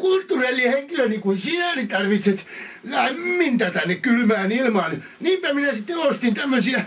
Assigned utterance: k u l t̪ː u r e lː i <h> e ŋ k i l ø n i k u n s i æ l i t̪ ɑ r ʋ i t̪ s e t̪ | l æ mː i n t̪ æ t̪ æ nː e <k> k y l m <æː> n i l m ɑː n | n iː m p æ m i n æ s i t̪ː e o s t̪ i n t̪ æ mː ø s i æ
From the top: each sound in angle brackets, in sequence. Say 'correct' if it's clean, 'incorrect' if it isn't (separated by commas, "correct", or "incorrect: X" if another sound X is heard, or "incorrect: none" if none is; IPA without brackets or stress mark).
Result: correct, correct, correct